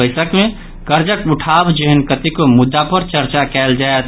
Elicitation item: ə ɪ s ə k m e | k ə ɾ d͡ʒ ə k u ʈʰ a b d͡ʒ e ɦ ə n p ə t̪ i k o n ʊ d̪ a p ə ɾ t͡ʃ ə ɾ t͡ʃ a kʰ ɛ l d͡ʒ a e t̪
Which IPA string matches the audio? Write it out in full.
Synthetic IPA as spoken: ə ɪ s ə k m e | k ə ɾ d͡ʒ ə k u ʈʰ a b d͡ʒ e ɦ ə n k ə t̪ i k o m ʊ d̪ː a p ə ɾ t͡ʃ ə ɾ t͡ʃ a k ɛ l d͡ʒ a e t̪